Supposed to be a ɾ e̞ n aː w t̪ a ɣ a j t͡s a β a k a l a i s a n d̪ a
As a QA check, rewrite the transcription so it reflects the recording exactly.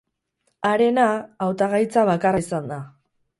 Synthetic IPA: a ɾ e̞ n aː w t̪ a ɣ a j t͡s a β a k a r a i s a n d̪ a

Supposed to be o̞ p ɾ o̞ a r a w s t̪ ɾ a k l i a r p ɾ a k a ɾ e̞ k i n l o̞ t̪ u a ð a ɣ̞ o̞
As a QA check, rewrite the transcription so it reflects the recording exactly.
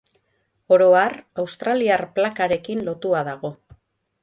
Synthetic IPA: o̞ ɾ o̞ a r a w s t̪ ɾ a l i a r p l a k a ɾ e̞ k i n l o̞ t̪ u a ð a ɣ̞ o̞

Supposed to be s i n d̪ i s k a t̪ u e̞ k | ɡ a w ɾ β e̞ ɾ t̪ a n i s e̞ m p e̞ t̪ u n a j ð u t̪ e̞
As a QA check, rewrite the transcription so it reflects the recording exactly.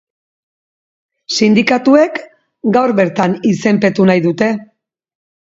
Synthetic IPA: s i n d̪ i k a t̪ u e̞ k | ɡ a w ɾ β e̞ ɾ t̪ a n i s e̞ m p e̞ t̪ u n a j ð u t̪ e̞

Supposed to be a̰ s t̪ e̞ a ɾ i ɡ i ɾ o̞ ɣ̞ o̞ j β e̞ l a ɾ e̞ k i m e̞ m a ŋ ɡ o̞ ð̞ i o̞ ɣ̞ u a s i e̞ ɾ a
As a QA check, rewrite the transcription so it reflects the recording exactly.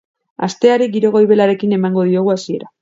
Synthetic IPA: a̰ s t̪ e̞ a ɾ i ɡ i ɾ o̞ ɣ̞ o̞ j β e̞ l a ɾ e̞ k i n e̞ m a ŋ ɡ o̞ ð̞ i o̞ ɣ̞ u a s i e̞ ɾ a

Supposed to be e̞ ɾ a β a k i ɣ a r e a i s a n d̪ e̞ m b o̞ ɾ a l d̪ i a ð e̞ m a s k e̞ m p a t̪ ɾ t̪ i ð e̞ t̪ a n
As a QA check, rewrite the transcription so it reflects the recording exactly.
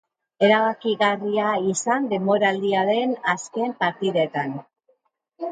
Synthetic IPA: e̞ ɾ a β a k i ɣ a r i a i s a n d̪ e̞ m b o̞ ɾ a l d̪ i a ð e̞ n a s k e̞ m p a ɾ t̪ i ð e̞ t̪ a n

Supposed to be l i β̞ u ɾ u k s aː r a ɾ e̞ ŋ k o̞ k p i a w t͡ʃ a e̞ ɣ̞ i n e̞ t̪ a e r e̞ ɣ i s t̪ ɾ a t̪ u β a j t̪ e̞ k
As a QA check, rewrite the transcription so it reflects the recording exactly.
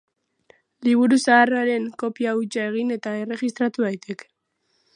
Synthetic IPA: l i β̞ u ɾ u s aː r a ɾ e̞ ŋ k o̞ p i a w t͡ʃ a e̞ ɣ̞ i n e̞ t̪ a e r e̞ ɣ i s t̪ ɾ a t̪ u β a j t̪ e̞ k

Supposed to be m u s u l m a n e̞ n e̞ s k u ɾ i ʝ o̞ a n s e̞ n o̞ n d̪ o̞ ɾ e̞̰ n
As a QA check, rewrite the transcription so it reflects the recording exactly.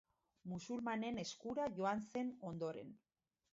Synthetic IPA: m u s u l m a n e̞ n e̞ s k u ɾ a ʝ o̞ a n s e̞ n o̞ n d̪ o̞ ɾ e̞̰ n

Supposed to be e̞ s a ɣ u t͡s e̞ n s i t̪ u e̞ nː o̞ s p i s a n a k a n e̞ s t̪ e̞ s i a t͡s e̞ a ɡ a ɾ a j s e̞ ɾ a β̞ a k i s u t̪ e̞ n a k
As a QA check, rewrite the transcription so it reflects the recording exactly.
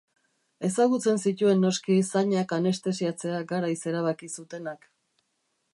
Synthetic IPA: e̞ s a ɣ u t͡s e̞ n s i t̪ u e̞ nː o̞ s k i s a ɲ a k a n e̞ s t̪ e̞ s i a t͡s e̞ a ɡ a ɾ a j s e̞ ɾ a β̞ a k i s u t̪ e̞ n a k

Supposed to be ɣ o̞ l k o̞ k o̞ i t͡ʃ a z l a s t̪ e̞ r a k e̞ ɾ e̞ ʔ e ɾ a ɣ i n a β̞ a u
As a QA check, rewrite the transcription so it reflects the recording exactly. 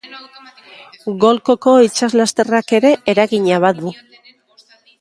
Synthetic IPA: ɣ o̞ l k o̞ k o̞ i t͡ʃ a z l a s t̪ e̞ r a k e̞ ɾ e̞ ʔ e ɾ a ɣ i ɲ a β̞ a u

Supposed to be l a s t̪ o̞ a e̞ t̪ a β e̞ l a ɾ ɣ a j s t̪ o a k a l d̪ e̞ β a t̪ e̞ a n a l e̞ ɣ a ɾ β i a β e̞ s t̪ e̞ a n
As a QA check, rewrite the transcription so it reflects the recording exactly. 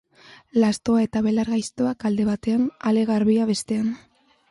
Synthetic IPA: l a s t̪ o̞ a e̞ t̪ a β e̞ l a ɾ ɣ a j s t̪ o a k a l d̪ e̞ β a t̪ e̞ a n a l e̞ ɣ a ɾ β i a β e̞ s t̪ e̞ a n

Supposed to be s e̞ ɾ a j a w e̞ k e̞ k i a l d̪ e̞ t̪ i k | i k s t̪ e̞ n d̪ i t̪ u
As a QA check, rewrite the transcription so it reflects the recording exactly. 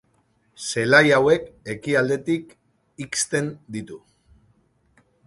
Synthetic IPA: s e̞ l a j a w e̞ k e̞ k i a l d̪ e̞ t̪ i k | i k s t̪ e̞ n d̪ i t̪ u

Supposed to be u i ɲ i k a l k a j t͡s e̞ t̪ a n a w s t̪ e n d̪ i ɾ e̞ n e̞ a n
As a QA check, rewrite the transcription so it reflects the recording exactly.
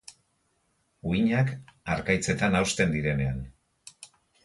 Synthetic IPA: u i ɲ a k a ɾ k a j t͡s e̞ t̪ a n a w s t̪ e n d̪ i ɾ e̞ n e̞ a n

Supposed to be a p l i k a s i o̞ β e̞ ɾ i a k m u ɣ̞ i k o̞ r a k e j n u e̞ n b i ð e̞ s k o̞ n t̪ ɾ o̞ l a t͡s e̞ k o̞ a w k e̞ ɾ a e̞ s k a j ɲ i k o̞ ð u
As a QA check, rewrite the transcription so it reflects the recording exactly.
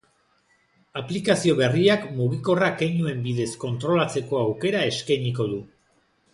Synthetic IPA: a p l i k a s i o̞ β e̞ r i a k m u ɣ̞ i k o̞ r a k e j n u e̞ m b i ð e̞ s k o̞ n t̪ ɾ o̞ l a t͡s e̞ k o̞ a w k e̞ ɾ a e̞ s k a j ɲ i k o̞ ð u

